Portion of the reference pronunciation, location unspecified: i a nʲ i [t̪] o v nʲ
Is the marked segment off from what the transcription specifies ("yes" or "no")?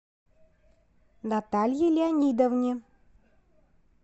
yes